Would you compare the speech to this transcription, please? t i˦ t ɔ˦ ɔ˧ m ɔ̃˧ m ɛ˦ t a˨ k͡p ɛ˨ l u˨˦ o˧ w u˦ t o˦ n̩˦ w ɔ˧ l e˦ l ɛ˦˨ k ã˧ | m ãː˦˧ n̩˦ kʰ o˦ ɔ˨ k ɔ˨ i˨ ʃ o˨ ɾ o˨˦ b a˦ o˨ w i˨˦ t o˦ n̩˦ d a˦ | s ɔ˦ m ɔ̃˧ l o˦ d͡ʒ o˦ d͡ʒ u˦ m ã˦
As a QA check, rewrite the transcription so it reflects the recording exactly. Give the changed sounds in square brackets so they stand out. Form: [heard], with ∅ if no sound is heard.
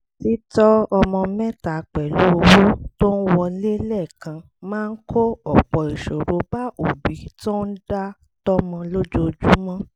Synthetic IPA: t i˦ t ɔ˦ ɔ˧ m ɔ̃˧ m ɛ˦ t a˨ k͡p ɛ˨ l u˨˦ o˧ w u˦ t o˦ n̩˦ w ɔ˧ l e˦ l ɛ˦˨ k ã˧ | m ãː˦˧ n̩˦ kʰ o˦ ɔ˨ [k͡p] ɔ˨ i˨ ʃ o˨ ɾ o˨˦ b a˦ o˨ [b] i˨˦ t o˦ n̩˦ d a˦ | [t] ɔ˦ m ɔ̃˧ l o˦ d͡ʒ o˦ d͡ʒ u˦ m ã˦